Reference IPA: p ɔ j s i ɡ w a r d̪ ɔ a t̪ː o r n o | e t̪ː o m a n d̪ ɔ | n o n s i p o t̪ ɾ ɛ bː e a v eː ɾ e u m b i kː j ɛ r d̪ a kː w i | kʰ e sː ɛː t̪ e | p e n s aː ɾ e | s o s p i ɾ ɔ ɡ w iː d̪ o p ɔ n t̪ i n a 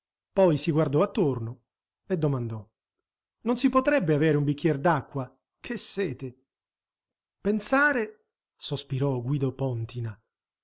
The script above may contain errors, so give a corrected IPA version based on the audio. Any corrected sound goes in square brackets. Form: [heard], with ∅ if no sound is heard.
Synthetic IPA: p ɔ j s i ɡ w a r d̪ ɔ a t̪ː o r n o | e [d̪ː] o m a n d̪ ɔ | n o n s i p o t̪ ɾ ɛ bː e a v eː ɾ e u m b i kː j ɛ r d̪ a kː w [a] | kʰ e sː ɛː t̪ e | p e n s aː ɾ e | s o s p i ɾ ɔ ɡ w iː d̪ o p ɔ n t̪ i n a